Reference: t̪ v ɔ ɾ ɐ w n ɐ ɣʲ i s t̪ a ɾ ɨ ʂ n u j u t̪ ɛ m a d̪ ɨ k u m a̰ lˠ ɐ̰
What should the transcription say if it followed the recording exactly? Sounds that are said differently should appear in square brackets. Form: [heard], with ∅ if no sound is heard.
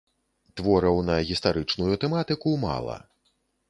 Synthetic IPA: t̪ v ɔ ɾ ɐ w n ɐ ɣʲ i s t̪ a ɾ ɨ [t͡ʂ] n u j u t̪ ɛ m a [t̪] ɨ k u m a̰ lˠ ɐ̰